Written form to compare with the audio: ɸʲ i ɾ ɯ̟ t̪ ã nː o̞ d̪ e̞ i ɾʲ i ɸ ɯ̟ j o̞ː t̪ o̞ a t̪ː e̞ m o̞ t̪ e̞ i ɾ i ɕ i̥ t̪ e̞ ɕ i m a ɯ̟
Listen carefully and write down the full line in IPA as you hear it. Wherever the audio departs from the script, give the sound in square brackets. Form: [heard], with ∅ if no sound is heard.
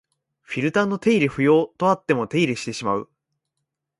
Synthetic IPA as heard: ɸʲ i ɾ ɯ̟ t̪ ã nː o̞ [t̪] e̞ i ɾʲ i ɸ ɯ̟ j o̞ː t̪ o̞ a t̪ː e̞ m o̞ t̪ e̞ i ɾ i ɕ i̥ t̪ e̞ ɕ i m a ɯ̟